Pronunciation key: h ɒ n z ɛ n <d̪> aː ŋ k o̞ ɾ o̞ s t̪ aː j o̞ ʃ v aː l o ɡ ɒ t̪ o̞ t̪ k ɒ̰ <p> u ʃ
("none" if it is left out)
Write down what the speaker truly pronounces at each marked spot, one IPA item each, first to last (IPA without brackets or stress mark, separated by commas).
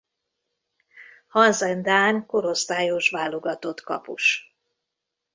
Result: d̪, p